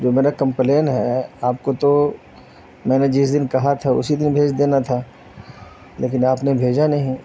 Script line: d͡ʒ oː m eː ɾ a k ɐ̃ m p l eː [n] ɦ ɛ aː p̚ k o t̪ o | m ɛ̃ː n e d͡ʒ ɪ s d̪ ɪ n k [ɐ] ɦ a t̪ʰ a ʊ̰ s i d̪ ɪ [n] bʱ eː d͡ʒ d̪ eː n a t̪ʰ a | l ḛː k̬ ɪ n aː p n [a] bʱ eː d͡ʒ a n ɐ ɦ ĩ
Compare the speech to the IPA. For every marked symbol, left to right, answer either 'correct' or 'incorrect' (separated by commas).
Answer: correct, correct, correct, incorrect